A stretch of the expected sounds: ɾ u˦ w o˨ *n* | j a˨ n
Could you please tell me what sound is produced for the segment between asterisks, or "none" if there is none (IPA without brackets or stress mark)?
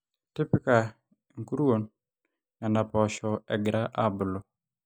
n